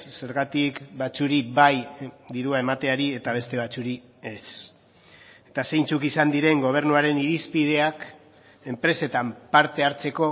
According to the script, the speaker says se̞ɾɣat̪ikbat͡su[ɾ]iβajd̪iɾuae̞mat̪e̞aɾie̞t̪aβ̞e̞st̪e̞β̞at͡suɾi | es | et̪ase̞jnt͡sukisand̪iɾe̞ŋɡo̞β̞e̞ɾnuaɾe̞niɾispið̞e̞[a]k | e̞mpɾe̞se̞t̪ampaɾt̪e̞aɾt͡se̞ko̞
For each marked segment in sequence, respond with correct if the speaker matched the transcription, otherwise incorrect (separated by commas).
correct, correct